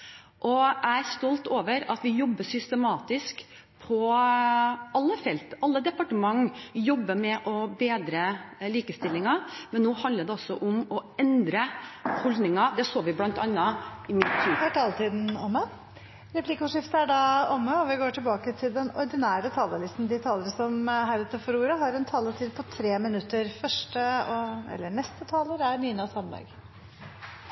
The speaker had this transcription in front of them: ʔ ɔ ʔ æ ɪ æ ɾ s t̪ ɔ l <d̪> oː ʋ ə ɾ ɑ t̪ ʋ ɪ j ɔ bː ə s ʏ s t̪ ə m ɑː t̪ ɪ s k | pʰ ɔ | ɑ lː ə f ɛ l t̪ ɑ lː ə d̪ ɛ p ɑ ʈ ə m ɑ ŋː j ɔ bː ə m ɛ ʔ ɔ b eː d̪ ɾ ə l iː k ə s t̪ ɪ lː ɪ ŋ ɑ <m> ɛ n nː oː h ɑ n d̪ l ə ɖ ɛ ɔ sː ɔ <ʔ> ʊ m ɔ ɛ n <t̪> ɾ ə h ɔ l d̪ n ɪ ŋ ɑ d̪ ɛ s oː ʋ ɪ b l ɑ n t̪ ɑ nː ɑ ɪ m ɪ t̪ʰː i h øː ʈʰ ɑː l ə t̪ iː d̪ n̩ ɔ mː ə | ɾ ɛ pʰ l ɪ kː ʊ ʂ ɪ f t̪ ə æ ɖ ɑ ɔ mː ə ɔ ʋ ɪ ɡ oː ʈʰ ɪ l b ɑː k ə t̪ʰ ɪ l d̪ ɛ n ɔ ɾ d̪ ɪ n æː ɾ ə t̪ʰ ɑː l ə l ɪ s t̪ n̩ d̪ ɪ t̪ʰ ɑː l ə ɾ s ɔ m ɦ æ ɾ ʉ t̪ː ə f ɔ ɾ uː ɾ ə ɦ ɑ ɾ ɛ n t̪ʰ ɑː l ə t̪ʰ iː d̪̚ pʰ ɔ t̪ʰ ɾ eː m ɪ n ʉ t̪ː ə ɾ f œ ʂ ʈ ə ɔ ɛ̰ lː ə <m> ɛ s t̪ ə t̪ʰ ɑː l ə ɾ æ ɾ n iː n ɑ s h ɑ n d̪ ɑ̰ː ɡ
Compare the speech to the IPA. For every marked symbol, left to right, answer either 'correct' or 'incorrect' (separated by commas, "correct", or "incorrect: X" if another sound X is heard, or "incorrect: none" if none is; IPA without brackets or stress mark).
incorrect: t̪, correct, correct, incorrect: d̪, incorrect: ɳ